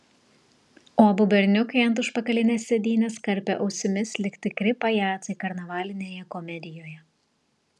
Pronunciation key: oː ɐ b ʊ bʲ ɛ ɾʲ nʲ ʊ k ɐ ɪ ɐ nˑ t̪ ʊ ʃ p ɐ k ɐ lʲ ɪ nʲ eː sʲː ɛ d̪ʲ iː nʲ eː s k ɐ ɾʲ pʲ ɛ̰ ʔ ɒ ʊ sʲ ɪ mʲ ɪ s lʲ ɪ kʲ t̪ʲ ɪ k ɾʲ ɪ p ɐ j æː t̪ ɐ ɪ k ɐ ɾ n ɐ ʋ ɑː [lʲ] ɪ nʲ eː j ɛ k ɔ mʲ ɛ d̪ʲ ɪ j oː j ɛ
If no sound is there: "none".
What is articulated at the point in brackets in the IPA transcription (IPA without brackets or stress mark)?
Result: lʲ